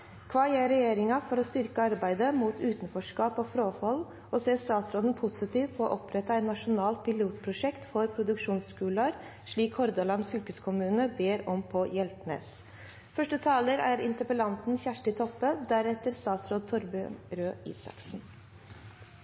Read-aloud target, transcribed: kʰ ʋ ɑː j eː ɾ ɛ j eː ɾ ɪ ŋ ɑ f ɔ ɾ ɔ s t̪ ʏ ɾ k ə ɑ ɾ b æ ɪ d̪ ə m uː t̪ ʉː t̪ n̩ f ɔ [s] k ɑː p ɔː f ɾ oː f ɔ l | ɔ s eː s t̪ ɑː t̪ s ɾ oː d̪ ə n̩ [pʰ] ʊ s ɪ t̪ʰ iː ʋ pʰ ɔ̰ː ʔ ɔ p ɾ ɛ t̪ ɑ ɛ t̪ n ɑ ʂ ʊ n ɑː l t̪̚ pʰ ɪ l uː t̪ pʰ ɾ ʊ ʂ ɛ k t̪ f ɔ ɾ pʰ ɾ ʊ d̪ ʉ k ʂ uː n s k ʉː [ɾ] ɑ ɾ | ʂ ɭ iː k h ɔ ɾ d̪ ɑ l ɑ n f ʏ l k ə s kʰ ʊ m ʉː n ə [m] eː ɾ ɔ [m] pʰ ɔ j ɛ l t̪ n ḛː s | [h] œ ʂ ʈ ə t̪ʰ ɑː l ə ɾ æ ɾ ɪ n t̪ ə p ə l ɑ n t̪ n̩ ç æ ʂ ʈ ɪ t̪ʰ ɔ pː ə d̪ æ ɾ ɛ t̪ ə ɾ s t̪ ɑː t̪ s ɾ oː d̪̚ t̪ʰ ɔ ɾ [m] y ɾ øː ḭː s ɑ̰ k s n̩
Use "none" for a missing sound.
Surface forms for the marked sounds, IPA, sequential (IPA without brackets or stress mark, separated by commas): ʂ, pʰ, l, b, m, f, b